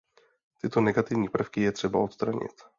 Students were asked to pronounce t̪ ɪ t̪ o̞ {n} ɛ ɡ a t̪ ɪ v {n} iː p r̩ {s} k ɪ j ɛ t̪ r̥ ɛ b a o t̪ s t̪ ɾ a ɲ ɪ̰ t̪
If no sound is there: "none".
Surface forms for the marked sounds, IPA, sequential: n, ɲ, f

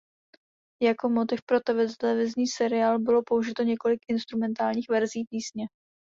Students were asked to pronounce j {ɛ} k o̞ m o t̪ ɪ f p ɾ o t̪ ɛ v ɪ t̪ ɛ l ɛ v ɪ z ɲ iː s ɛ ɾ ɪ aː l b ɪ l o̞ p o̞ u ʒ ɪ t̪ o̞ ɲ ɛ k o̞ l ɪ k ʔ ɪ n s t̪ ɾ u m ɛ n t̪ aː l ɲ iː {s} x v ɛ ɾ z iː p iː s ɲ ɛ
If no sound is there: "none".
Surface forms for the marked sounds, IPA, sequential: a, none

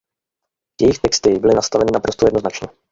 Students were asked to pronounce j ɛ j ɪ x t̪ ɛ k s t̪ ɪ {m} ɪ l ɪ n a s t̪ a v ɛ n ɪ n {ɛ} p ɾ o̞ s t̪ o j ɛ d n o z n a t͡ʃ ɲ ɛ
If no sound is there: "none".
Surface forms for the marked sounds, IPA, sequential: b, a

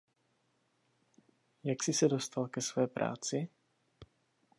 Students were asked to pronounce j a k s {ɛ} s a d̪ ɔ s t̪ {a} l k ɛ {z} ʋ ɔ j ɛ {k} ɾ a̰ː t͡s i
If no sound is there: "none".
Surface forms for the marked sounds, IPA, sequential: i, a, s, p

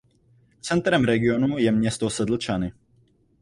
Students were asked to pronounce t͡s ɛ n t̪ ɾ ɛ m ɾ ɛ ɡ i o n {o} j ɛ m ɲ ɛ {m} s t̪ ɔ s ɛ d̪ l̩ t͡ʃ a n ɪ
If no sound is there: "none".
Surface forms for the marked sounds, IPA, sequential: u, none

